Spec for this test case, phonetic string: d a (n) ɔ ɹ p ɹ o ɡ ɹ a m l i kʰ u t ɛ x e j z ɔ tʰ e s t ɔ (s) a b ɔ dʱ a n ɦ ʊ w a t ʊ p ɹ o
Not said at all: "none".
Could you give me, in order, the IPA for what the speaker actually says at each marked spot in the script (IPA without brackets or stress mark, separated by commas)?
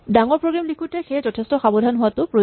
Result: ŋ, x